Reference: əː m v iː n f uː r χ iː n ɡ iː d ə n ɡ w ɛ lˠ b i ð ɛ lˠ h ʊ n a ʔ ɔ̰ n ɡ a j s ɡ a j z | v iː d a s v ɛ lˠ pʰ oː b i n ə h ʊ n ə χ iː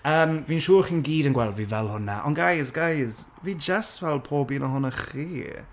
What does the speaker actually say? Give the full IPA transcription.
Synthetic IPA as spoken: əː m v iː n ʃ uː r χ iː n ɡ iː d ə n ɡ w ɛ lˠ v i v ɛ lˠ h ʊ n a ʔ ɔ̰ n ɡ a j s ɡ a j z | v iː d͡ʒ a s v ɛ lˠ pʰ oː b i n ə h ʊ n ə χ iː